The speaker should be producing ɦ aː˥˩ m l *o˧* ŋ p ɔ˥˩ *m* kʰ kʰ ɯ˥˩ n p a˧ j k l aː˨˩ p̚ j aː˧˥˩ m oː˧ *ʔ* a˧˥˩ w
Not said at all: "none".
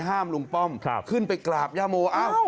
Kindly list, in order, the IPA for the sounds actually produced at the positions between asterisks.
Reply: u˧, m, ʔ

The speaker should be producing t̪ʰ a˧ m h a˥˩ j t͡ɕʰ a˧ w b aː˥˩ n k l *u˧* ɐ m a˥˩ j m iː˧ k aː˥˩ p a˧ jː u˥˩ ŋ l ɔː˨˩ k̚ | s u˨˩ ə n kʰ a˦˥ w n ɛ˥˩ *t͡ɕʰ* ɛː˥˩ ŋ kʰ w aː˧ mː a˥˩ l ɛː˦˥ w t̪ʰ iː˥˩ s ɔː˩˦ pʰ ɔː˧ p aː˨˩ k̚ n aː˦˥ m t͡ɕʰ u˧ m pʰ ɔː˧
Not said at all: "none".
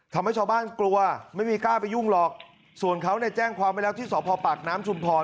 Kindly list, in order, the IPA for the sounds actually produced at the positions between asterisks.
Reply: u˧, t͡ɕ

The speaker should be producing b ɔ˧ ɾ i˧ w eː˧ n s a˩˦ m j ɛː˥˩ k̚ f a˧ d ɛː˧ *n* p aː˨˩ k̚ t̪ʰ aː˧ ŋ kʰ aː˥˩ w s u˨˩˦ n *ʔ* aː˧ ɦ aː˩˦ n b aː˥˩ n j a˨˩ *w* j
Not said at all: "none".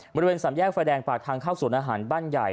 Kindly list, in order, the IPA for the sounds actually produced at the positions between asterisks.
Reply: ŋ, ʔ, none

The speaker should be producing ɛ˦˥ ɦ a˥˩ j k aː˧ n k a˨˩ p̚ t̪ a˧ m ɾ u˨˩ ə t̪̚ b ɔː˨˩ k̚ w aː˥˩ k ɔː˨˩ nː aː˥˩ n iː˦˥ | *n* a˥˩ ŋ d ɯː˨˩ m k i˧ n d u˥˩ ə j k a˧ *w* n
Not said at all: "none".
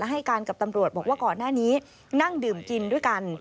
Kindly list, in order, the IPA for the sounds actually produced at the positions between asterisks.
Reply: n, none

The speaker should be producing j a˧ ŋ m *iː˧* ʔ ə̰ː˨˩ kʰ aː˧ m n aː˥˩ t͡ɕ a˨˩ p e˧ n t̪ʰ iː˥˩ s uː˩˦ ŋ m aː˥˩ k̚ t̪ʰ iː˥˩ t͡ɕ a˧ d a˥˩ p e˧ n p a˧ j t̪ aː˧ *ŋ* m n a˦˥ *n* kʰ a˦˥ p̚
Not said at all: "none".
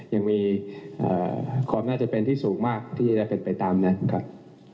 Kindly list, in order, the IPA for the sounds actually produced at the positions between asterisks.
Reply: iː˧, none, n

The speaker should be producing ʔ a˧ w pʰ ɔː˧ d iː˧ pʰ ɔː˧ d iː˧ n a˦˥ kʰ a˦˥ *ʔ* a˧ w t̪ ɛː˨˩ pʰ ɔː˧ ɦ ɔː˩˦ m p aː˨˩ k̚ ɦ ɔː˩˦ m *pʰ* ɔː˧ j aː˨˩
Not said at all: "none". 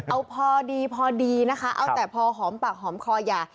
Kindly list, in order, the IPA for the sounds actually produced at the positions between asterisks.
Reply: ʔ, kʰ

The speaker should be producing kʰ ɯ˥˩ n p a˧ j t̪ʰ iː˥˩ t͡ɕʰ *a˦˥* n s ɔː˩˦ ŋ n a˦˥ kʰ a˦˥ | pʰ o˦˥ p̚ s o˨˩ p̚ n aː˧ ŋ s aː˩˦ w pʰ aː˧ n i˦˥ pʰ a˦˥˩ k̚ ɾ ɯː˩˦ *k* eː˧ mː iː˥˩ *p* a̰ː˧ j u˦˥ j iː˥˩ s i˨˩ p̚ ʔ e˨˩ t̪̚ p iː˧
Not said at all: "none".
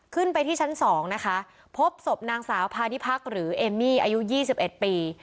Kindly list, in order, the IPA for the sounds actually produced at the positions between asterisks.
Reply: a˦˥, ʔ, ʔ

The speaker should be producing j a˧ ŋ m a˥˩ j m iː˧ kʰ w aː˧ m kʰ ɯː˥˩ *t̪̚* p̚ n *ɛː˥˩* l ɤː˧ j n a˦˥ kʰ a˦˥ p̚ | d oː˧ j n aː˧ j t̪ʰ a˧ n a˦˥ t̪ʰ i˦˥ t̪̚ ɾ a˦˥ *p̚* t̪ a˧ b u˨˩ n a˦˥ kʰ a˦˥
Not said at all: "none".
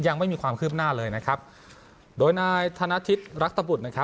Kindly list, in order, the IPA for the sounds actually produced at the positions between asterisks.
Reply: none, aː˥˩, k̚

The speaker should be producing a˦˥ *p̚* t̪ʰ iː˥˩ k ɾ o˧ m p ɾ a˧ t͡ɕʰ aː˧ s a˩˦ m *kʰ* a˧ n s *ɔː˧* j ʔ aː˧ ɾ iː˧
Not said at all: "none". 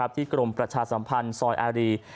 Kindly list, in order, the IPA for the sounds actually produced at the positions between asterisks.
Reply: p̚, pʰ, ɔː˧

